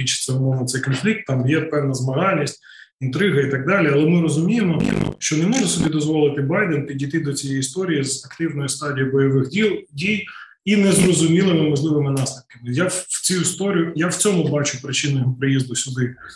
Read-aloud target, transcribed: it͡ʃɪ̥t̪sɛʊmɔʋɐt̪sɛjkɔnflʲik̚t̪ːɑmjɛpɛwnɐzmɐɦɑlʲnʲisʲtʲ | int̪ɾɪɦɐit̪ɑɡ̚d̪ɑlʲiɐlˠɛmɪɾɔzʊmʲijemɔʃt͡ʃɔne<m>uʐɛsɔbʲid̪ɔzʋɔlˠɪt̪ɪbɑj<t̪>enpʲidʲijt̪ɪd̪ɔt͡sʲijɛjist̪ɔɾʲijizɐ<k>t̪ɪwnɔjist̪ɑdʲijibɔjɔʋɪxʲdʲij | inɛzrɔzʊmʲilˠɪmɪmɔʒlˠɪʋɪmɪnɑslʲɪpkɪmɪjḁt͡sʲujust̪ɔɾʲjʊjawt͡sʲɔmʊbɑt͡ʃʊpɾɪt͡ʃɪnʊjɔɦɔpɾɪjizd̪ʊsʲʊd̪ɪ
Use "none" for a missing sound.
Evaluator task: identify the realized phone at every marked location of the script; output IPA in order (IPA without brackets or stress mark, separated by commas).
m, d̪, k